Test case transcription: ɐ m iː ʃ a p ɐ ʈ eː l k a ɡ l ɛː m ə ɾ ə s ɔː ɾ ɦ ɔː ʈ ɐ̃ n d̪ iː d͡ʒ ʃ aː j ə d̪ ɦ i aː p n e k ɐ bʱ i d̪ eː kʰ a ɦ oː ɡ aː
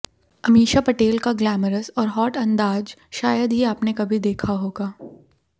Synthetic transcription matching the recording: ɐ m iː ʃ a p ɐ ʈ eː l k a ɡ l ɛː m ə ɾ ə s ɔː ɾ ɦ ɔː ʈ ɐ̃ n d̪ aː d͡ʒ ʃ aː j ə d̪ ɦ i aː p n e k ɐ bʱ i d̪ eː kʰ a ɦ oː ɡ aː